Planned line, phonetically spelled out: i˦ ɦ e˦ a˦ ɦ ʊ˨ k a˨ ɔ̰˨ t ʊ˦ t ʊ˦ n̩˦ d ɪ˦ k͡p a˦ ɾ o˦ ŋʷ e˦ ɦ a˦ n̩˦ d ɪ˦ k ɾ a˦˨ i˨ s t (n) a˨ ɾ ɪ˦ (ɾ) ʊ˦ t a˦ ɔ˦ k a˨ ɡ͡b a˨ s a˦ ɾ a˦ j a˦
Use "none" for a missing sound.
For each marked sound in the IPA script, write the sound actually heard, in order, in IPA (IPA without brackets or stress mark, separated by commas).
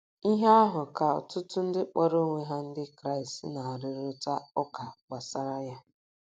n, ɾ